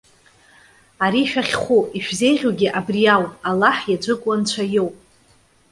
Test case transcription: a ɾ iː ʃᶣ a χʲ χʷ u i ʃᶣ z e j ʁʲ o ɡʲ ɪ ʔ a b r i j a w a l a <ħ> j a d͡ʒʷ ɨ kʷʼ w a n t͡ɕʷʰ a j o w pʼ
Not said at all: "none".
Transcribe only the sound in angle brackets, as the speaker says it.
ħ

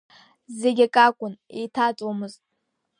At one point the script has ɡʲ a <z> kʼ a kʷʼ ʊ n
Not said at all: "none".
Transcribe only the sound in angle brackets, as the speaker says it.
none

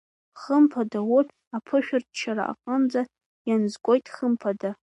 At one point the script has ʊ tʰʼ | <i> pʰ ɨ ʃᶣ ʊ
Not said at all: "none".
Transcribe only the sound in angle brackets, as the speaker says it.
a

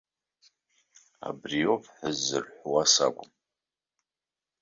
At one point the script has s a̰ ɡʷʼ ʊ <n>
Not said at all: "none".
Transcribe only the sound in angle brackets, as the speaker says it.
m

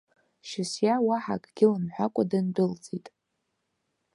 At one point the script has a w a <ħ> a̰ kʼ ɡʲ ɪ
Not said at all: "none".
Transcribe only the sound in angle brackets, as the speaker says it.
ħ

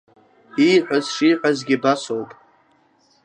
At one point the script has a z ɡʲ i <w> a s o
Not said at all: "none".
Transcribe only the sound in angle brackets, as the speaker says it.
b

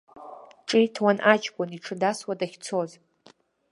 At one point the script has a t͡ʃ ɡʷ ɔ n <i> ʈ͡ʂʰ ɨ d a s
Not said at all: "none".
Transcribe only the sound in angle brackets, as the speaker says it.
i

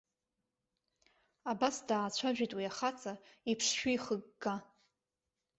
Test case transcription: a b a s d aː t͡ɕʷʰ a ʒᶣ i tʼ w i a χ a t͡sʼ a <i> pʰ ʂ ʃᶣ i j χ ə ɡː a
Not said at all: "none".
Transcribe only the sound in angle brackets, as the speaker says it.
i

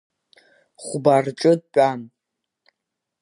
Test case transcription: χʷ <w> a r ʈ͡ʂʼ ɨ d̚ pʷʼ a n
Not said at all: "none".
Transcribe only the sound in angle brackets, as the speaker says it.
b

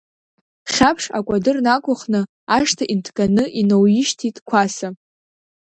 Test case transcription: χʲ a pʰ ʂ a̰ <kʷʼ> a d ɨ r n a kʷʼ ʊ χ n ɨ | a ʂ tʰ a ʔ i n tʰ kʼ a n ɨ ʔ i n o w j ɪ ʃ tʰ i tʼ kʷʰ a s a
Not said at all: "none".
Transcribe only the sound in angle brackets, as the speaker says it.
kʷʼ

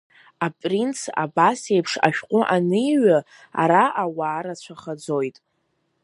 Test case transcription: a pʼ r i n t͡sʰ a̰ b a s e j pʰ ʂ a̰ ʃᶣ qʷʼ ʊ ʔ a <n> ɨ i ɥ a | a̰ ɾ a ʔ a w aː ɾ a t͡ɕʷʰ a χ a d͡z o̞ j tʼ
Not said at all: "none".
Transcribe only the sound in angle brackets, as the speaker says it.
n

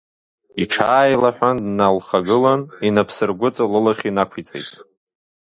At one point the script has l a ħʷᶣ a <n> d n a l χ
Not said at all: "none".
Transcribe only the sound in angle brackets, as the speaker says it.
n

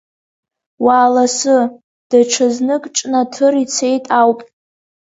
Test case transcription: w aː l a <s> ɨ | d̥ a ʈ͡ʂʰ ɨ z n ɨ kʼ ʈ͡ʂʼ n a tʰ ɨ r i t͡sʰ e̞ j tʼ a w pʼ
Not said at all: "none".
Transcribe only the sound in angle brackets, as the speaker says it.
s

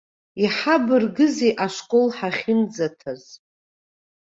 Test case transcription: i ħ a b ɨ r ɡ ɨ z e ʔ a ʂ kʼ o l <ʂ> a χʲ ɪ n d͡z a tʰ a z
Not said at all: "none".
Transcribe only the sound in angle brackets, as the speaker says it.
ħ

